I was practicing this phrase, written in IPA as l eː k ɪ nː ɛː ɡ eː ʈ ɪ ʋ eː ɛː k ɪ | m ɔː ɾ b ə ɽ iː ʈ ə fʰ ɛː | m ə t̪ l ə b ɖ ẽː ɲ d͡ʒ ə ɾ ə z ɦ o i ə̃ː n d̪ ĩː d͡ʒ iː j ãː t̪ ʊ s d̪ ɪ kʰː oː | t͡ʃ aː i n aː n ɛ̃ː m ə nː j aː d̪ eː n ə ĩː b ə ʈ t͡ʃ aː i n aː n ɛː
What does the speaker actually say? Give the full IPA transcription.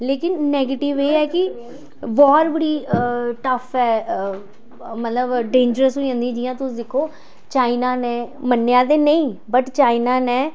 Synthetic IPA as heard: l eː k ɪ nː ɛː ɡ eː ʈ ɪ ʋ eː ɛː k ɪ | b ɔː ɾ b ə ɽ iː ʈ ə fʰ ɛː | m ə t̪ l ə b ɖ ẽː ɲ d͡ʒ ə ɾ ə s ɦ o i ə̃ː n d̪ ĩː d͡ʒ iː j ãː t̪ ʊ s d̪ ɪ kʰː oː | t͡ʃ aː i n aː n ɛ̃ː m ə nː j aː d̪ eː n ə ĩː b ə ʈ t͡ʃ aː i n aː n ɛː